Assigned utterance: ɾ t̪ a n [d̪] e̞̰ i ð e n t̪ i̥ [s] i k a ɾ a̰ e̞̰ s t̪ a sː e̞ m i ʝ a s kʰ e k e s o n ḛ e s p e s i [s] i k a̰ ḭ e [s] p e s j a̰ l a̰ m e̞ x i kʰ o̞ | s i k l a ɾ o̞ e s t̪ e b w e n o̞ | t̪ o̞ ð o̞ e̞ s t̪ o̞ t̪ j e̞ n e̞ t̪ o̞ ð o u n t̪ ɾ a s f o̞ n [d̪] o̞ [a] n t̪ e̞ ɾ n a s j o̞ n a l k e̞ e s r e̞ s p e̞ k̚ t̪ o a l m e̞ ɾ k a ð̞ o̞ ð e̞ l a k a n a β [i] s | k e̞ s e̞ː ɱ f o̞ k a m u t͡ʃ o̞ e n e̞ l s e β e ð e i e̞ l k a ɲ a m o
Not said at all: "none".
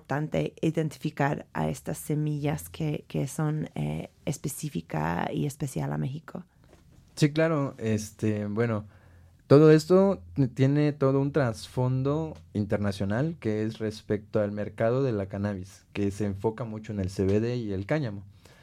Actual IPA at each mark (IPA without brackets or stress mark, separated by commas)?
t̪, f, f, s, d̪, i, i